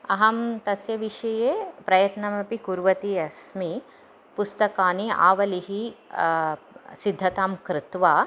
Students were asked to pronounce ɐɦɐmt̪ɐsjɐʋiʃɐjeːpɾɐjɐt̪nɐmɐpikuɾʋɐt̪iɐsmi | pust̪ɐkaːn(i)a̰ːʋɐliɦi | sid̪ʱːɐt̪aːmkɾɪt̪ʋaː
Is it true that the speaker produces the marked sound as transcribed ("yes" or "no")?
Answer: yes